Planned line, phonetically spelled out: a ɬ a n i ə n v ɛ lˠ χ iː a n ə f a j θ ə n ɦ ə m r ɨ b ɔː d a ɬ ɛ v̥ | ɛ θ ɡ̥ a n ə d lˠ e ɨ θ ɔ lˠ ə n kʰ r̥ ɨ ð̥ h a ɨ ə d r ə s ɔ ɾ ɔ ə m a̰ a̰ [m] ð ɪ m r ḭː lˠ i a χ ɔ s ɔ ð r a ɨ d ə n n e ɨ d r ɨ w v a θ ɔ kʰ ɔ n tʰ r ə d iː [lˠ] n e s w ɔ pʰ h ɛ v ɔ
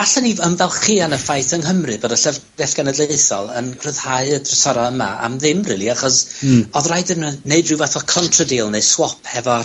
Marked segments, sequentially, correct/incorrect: correct, correct

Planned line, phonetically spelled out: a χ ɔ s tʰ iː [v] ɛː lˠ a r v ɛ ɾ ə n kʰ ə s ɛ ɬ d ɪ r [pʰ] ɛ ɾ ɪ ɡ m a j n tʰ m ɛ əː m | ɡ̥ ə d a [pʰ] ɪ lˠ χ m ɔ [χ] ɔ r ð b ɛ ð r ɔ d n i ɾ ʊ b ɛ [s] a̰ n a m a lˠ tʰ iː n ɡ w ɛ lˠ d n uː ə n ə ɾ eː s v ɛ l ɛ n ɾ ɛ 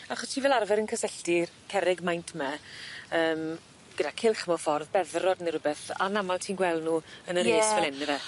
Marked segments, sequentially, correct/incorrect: correct, incorrect: kʰ, incorrect: kʰ, incorrect: f, incorrect: θ

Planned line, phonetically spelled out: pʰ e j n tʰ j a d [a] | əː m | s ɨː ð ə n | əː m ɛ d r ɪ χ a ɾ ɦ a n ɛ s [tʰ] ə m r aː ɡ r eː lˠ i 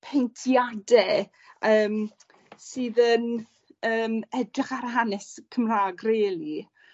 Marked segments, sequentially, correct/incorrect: incorrect: ɛ, incorrect: kʰ

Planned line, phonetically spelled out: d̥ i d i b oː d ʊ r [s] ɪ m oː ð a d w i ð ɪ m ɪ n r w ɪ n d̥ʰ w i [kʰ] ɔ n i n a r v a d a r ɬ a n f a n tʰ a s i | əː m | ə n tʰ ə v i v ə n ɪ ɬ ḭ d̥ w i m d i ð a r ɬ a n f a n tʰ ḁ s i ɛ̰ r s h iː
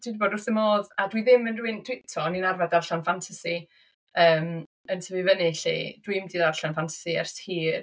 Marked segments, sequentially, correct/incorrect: incorrect: θ, incorrect: tʰ

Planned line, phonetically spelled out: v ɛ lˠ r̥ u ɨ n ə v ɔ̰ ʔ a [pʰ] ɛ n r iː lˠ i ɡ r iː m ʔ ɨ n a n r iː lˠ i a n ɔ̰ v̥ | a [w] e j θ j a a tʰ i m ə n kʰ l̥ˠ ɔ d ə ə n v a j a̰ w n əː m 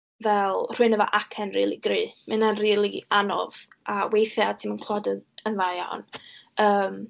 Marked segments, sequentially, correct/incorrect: incorrect: kʰ, correct

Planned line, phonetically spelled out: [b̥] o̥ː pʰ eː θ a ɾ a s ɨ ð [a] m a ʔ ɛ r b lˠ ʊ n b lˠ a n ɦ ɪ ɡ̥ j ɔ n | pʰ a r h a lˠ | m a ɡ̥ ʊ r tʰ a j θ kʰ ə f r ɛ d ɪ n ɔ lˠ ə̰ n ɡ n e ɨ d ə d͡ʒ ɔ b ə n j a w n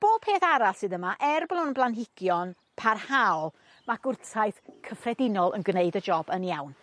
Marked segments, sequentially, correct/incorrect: correct, incorrect: ə

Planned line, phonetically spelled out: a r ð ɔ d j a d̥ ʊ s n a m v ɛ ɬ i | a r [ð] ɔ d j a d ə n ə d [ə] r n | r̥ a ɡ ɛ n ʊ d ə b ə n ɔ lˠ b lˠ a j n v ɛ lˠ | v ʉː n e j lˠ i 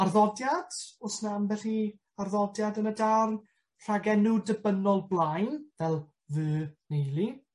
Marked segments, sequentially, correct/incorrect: correct, incorrect: a

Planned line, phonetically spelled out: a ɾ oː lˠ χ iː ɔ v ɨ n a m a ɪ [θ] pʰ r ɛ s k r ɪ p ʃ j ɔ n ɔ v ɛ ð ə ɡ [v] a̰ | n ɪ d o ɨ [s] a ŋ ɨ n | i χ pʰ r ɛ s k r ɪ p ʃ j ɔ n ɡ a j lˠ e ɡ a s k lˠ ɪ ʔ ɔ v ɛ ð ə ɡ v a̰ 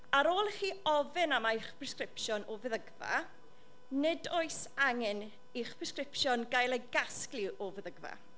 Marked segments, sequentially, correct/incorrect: incorrect: χ, correct, correct

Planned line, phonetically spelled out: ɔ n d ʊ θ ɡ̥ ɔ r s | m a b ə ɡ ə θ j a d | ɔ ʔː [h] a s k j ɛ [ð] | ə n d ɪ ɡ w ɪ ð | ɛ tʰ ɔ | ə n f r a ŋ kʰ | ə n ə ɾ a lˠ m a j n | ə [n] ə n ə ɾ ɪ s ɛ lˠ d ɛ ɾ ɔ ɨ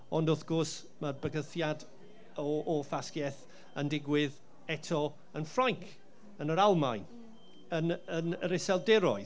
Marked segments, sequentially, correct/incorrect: incorrect: f, incorrect: θ, correct

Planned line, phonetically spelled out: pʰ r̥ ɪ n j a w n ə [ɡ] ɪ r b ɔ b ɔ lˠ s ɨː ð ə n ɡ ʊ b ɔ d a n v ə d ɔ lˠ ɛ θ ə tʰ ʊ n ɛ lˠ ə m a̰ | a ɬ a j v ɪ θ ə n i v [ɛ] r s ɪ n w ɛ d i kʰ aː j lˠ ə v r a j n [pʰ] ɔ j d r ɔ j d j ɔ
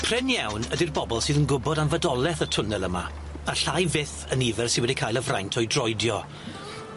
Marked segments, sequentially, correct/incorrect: incorrect: d, correct, incorrect: tʰ

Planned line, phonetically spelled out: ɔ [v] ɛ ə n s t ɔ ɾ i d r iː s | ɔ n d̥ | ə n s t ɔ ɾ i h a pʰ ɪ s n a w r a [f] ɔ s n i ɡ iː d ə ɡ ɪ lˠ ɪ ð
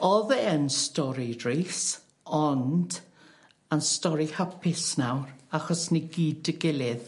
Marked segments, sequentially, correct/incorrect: incorrect: ð, incorrect: χ

